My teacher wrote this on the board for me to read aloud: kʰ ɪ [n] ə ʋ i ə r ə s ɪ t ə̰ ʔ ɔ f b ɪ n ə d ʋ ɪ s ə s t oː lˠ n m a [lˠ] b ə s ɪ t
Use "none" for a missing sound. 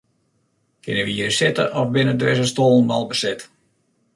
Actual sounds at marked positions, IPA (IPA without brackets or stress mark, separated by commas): n, lˠ